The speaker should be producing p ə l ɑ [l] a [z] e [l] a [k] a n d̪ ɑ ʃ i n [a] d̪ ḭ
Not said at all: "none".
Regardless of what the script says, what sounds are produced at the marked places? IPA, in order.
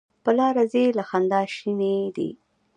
ɾ, z, l, x, e

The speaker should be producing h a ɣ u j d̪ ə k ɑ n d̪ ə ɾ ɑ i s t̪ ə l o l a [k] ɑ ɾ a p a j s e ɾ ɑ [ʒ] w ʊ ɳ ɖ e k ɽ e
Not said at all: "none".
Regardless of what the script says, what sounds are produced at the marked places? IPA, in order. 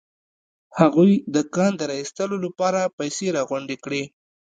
p, ɣ

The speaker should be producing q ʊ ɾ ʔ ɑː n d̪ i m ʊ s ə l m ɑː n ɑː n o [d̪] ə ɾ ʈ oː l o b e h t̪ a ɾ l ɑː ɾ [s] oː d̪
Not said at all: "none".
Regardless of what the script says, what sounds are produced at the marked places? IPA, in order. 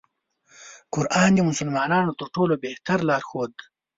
t̪, x

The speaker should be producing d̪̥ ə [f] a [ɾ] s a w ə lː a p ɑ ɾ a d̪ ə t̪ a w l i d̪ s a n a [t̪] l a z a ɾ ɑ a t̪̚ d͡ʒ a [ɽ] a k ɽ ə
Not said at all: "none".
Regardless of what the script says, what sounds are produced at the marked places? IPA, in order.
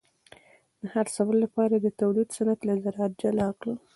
h, ɾ, t̪, l

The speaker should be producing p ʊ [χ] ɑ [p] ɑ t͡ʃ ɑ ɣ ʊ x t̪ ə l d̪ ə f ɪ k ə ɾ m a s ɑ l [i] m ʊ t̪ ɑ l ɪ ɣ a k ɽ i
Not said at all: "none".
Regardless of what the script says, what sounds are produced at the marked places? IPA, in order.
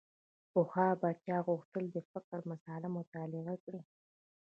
x, b, a

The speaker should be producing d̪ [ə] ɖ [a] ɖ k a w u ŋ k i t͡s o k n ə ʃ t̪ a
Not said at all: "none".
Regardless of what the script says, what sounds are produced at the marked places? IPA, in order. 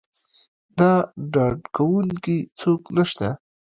ɑ, ɑ

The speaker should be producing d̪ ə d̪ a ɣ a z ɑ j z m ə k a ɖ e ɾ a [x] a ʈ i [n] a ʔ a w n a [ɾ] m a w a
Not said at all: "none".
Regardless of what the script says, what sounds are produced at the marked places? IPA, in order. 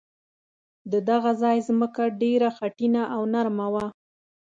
x, n, ɾ

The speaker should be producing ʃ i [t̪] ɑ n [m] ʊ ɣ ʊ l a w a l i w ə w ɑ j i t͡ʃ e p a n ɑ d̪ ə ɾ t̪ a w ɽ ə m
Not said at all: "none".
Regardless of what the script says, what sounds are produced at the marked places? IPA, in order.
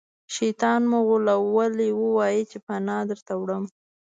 t̪, m

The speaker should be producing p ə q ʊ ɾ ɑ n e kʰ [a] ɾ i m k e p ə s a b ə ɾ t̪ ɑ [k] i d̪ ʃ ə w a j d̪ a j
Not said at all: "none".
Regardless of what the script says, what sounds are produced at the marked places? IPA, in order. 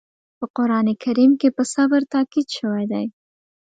a, k

